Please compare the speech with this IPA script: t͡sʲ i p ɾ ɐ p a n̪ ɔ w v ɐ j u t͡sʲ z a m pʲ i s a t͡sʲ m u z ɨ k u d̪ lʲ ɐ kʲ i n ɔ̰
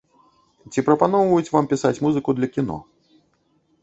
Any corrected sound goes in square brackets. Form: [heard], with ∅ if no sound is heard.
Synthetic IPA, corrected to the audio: t͡sʲ i p ɾ ɐ p a n̪ ɔ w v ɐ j u t͡sʲ [v] a m pʲ i s a t͡sʲ m u z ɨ k u d̪ lʲ ɐ kʲ i n ɔ̰

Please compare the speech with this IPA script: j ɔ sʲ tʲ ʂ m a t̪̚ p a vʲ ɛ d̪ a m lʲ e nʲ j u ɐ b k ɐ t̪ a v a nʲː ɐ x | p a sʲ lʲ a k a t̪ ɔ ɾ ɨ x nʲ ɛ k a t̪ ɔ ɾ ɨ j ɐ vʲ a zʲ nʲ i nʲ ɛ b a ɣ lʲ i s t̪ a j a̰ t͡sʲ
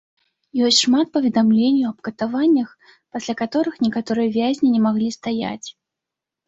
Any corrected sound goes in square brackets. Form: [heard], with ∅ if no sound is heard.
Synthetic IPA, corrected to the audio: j ɔ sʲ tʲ ʂ m a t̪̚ p [ɐ] vʲ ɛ d̪ a m lʲ e nʲ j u ɐ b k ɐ t̪ a v a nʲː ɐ x | p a sʲ lʲ a k a t̪ ɔ ɾ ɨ x nʲ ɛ k a t̪ ɔ ɾ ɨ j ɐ vʲ a zʲ nʲ i nʲ ɛ [m] a ɣ lʲ i s t̪ a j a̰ t͡sʲ

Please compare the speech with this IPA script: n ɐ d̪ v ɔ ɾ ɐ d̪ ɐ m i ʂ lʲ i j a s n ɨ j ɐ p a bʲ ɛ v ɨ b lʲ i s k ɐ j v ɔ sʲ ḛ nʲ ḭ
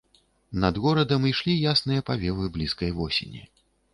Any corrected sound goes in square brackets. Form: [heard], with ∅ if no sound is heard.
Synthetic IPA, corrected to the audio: n ɐ d̪ [ɣ] ɔ ɾ ɐ d̪ ɐ m i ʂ lʲ i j a s n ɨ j ɐ p a [vʲ] ɛ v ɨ b lʲ i s k ɐ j v ɔ sʲ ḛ nʲ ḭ

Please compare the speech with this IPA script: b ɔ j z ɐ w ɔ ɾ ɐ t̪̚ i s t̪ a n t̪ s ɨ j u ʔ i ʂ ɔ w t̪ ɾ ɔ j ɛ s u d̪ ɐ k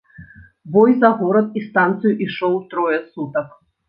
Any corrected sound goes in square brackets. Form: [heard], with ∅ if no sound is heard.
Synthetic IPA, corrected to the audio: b ɔ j z ɐ [ɣ] ɔ ɾ ɐ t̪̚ i s t̪ a n t̪ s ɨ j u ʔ i ʂ ɔ w t̪ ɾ ɔ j ɛ s u [t̪] ɐ k

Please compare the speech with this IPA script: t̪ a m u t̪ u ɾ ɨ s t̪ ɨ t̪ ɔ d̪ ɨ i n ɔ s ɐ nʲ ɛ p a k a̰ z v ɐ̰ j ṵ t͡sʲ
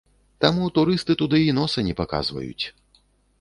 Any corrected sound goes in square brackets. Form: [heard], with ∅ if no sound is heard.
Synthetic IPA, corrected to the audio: t̪ a m u t̪ u ɾ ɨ s t̪ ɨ t̪ [u] d̪ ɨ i n ɔ s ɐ nʲ ɛ p a k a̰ z v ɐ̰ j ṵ t͡sʲ

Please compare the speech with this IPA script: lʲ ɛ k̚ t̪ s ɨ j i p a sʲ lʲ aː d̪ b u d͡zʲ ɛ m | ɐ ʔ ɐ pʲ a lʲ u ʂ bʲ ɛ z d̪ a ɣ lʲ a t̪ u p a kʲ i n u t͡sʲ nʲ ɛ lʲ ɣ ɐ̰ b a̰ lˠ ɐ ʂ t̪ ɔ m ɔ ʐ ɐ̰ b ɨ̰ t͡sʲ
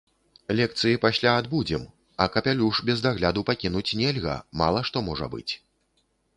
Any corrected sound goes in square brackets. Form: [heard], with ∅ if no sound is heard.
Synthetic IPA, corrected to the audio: lʲ ɛ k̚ t̪ s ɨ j i p a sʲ lʲ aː d̪ b u d͡zʲ ɛ m | ɐ [k] ɐ pʲ a lʲ u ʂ bʲ ɛ z d̪ a ɣ lʲ a [d̪] u p a kʲ i n u t͡sʲ nʲ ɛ lʲ ɣ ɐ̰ [m] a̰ lˠ ɐ ʂ t̪ ɔ m ɔ ʐ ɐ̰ b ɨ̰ t͡sʲ

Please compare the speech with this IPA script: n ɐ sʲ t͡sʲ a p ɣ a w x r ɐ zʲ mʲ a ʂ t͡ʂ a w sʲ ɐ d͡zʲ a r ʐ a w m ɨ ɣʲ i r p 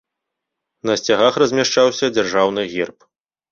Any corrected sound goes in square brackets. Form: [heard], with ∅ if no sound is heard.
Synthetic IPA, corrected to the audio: n ɐ sʲ t͡sʲ a [∅] ɣ a [∅] x r ɐ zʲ mʲ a ʂ t͡ʂ a w sʲ ɐ d͡zʲ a r ʐ a w [n] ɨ ɣʲ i r p

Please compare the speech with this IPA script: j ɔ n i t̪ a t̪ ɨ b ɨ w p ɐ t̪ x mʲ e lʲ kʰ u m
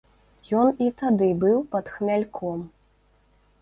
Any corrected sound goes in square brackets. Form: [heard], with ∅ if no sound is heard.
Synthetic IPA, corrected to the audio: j ɔ n i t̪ a [d̪] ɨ b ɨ w p ɐ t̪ x mʲ [a] lʲ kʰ [ɔ] m

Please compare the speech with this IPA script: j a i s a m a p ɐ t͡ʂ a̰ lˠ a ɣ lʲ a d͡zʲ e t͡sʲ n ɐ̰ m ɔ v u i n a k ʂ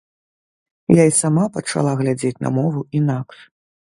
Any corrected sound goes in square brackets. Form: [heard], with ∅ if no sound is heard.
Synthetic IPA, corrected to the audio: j a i s a m a p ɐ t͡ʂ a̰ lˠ a ɣ lʲ a d͡zʲ e t͡sʲ n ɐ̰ m ɔ v u i n a k ʂ

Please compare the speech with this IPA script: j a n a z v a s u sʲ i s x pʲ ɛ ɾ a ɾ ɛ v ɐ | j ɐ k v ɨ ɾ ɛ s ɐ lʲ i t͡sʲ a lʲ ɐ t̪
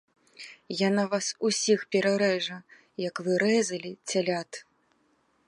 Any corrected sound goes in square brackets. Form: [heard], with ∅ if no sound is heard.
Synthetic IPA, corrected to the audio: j a n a [∅] v a s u sʲ i [∅] x pʲ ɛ ɾ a ɾ ɛ [ʐ] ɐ | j ɐ k v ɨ ɾ ɛ [z] ɐ lʲ i t͡sʲ a lʲ [a] t̪

